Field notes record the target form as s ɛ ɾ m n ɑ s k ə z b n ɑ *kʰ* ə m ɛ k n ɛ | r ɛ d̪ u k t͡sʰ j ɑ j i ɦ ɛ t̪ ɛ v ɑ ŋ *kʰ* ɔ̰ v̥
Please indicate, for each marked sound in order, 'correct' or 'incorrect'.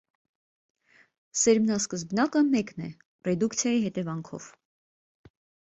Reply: incorrect: k, correct

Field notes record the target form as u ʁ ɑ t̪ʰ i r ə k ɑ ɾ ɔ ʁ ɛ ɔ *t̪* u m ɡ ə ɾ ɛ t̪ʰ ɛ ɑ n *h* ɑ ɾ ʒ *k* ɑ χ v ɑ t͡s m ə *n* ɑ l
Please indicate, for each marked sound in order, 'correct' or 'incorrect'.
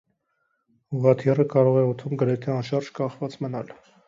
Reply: incorrect: t̪ʰ, incorrect: ʃ, correct, correct

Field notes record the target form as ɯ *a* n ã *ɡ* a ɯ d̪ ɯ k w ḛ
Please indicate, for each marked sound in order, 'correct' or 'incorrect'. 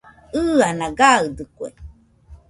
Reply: correct, correct

